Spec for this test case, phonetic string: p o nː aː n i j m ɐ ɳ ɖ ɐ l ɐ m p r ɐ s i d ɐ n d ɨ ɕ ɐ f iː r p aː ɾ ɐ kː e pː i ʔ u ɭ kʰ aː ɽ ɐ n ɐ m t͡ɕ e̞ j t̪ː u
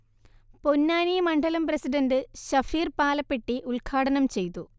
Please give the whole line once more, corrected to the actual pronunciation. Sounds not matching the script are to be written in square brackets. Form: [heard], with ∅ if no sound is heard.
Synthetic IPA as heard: p o nː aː n i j m ɐ ɳ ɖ ɐ l ɐ m p r ɐ s i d ɐ n d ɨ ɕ ɐ f iː r p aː [l] ɐ [pː] e [ʈː] i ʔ u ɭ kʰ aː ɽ ɐ n ɐ m t͡ɕ e̞ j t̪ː u